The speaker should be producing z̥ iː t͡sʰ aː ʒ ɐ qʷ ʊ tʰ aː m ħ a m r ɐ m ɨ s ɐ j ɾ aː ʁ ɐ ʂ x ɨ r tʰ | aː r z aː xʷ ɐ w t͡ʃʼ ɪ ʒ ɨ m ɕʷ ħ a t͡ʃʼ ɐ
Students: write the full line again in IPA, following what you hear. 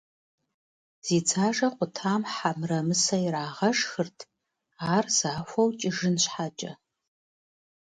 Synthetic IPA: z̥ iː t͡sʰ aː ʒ ɐ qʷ ʊ tʰ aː m ħ a m r ɐ m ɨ s ɐ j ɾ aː ʁ ɐ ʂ x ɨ r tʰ | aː r z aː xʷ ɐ w t͡ʃʼ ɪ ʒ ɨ n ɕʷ ħ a t͡ʃʼ ɐ

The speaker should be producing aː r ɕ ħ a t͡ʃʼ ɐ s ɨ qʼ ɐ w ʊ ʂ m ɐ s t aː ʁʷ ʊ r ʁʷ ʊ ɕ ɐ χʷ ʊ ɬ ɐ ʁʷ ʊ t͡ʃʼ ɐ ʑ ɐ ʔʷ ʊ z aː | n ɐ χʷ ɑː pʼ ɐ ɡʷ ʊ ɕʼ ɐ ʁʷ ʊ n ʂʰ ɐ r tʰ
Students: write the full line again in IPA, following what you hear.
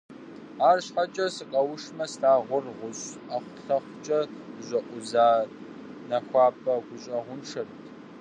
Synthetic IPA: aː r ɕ ħ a t͡ʃʼ ɐ s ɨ qʼ ɐ w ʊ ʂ m ɐ s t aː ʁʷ ʊ r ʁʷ ʊ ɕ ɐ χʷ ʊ ɬ ɐ χʷ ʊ t͡ʃʼ ɐ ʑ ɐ ʔʷ ʊ z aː | n ɐ xʷ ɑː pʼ ɐ ɡʷ ʊ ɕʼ ɐ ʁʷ ʊ n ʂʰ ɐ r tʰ

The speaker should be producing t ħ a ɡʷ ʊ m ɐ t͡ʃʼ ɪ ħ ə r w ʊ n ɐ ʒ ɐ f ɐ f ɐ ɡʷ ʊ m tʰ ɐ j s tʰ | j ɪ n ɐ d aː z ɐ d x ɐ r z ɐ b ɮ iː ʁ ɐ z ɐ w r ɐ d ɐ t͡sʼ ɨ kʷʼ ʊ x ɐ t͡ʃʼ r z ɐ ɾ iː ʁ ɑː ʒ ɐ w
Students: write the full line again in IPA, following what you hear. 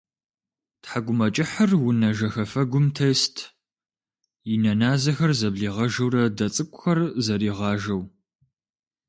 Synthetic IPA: t ħ a ɡʷ ʊ m ɐ t͡ʃʼ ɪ ħ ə r w ʊ n ɐ ʒ ɐ x ɐ f ɐ ɡʷ ʊ m tʰ ɐ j s tʰ | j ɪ n ɐ n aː z ɐ x ɐ r z ɐ b ɮ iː ʁ ɐ ʒ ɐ w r ɐ d ɐ t͡sʼ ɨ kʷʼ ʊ x ɐ r z ɐ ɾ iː ʁ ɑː ʒ ɐ w

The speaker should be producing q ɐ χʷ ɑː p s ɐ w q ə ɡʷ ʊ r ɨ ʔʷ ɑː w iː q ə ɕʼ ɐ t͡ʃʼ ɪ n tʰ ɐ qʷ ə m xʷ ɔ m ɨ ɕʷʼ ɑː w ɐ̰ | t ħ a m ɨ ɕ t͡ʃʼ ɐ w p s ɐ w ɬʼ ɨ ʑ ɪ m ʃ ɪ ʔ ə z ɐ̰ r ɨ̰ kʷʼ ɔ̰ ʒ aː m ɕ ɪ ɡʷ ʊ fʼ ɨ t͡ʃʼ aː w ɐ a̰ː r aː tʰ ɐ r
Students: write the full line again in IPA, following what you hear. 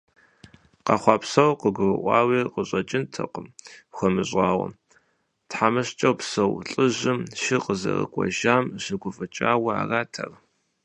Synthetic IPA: q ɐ χʷ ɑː p s ɐ w q ə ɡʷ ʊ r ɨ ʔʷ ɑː w iː q ə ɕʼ ɐ t͡ʃʼ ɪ n tʰ ɐ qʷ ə m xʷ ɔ m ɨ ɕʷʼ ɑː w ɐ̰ | t ħ a m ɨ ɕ t͡ʃʼ ɐ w p s ɐ w ɬʼ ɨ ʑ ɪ m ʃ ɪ q ə z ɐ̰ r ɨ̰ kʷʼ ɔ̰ ʒ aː m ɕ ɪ ɡʷ ʊ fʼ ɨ t͡ʃʼ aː w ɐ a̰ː r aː tʰ ɐ r

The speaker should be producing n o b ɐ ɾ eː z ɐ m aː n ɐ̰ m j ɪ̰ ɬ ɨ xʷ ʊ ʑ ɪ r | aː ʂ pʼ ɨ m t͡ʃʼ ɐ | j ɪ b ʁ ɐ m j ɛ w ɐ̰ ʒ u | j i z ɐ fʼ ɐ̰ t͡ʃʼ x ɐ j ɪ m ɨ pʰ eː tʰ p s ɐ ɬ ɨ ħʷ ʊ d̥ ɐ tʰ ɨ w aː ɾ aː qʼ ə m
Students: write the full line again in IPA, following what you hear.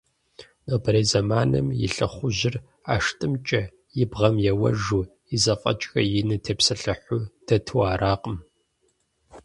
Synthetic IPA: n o b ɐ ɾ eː z ɐ m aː n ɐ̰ m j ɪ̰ ɬ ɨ χʷ ʊ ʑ ɪ r | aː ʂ tʼ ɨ m t͡ʃʼ ɐ | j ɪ b ʁ ɐ m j ɛ w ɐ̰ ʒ u | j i z ɐ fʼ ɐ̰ t͡ʃʼ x ɐ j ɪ n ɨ tʰ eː p s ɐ ɬ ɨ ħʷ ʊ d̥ ɐ tʰ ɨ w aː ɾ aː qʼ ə m

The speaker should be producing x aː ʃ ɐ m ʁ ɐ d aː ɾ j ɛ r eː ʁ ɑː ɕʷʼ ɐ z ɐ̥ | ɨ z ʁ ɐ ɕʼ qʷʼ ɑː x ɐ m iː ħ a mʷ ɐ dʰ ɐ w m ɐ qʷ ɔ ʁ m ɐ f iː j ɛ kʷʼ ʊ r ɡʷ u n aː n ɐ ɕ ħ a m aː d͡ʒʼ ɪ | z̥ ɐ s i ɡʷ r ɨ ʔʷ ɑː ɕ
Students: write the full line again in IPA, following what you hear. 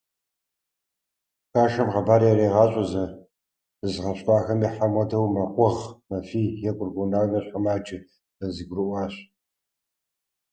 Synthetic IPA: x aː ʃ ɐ m ʁ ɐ b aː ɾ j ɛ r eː ʁ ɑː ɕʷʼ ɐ z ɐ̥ | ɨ z ʁ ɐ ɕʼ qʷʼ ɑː x ɐ m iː ħ a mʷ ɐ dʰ ɐ w m ɐ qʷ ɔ ʁ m ɐ f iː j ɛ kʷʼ ʊ r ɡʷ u n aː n ɐ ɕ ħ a m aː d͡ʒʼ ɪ | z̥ ɐ z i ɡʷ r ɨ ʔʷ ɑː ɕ

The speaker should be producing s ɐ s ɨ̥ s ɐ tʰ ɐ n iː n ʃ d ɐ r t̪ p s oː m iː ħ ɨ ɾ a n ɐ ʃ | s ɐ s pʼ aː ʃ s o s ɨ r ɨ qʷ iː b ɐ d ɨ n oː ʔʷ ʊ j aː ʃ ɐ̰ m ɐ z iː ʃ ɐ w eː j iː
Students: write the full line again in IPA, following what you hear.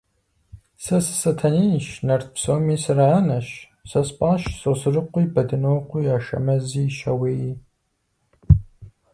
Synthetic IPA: s ɐ s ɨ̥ s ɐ tʰ ɐ n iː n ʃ n ɐ r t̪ p s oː m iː s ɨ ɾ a n ɐ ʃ | s ɐ s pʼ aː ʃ s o s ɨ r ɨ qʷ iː b ɐ d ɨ n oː qʷ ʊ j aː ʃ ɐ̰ m ɐ z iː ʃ ɐ w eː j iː

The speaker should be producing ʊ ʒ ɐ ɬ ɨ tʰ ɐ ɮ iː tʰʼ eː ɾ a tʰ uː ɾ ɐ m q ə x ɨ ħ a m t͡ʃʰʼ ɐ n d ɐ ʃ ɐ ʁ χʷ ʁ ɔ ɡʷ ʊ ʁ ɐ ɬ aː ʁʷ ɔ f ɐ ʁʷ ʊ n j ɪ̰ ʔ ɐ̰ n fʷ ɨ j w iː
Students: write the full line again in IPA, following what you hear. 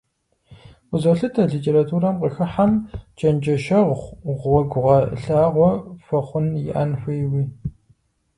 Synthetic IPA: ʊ z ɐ ɬ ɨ tʰ ɐ ɮ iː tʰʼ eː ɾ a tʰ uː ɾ ɐ m q ə x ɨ ħ a m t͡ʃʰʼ ɐ n d͡ʒ ɐ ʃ ɐ ʁ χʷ ʁ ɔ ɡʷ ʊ ʁ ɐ ɬ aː ʁʷ ɔ f ɐ χʷ ʊ n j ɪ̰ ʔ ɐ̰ n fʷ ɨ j w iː

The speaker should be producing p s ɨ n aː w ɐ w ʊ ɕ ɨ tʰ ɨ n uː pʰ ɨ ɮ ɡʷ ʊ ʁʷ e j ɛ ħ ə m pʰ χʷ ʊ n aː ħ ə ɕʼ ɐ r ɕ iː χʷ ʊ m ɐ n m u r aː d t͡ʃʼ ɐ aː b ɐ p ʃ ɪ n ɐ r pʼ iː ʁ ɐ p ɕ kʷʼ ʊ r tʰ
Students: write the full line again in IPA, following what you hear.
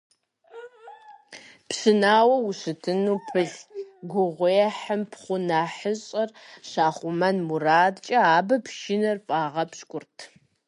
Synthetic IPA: p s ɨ n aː w ɐ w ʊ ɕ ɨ tʰ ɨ n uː pʰ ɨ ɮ ɡʷ ʊ ʁʷ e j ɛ ħ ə m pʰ χʷ ʊ n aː ħ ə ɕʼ ɐ r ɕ aː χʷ ʊ m ɐ n m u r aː d t͡ʃʼ ɐ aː b ɐ p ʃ ɪ n ɐ r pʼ aː ʁ ɐ p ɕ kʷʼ ʊ r tʰ

